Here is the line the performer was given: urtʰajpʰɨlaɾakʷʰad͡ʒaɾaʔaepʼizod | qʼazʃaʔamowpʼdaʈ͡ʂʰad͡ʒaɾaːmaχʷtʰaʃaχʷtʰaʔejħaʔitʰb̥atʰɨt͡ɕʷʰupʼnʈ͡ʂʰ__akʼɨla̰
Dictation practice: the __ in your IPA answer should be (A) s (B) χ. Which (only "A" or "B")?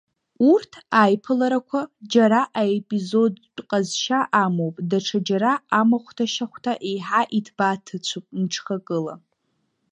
B